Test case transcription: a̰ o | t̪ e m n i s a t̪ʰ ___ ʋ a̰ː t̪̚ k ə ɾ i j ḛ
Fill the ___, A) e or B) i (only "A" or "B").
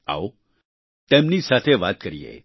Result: A